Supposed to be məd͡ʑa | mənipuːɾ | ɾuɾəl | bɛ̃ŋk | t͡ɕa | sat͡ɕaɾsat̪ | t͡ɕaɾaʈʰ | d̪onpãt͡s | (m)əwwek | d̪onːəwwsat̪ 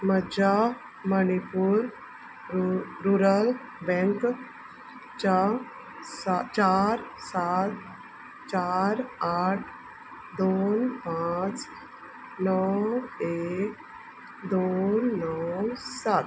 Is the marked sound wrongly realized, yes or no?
yes